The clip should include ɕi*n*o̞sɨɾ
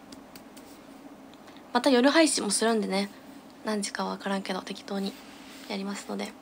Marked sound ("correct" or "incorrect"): incorrect